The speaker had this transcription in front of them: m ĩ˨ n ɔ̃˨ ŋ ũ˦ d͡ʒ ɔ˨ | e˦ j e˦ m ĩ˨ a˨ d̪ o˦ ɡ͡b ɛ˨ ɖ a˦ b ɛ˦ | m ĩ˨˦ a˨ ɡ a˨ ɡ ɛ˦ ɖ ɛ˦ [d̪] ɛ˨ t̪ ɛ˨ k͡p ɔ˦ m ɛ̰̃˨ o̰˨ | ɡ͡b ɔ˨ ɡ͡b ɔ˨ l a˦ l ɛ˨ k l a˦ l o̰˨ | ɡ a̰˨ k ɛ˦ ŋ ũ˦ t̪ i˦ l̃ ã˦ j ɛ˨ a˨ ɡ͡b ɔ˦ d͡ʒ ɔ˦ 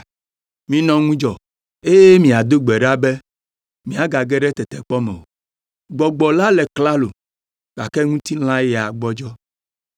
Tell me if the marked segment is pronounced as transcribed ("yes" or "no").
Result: no